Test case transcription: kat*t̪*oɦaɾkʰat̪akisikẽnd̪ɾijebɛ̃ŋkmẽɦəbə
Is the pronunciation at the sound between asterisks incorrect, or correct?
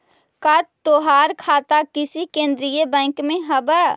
correct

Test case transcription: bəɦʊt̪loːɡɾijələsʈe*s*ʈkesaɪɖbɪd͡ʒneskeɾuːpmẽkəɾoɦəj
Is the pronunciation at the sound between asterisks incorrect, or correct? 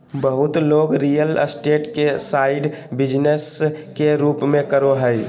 incorrect: none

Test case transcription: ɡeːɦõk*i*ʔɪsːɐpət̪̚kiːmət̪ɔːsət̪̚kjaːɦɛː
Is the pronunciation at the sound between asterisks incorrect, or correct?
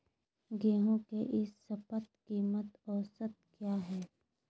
incorrect: e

